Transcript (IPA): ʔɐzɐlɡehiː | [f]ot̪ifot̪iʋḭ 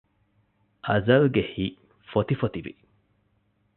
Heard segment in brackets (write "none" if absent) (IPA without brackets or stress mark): f